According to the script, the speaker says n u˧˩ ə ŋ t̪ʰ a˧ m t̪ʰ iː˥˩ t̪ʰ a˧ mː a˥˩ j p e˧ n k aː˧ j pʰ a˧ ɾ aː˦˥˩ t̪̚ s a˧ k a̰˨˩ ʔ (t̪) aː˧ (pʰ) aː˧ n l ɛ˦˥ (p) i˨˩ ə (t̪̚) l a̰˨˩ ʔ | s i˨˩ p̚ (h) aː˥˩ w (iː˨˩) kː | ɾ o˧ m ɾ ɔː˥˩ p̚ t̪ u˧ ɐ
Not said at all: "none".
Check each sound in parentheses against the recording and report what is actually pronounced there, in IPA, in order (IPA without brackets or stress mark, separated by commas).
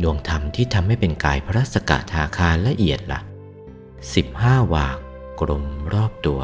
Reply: t̪ʰ, kʰ, ʔ, t̪̚, h, aː˨˩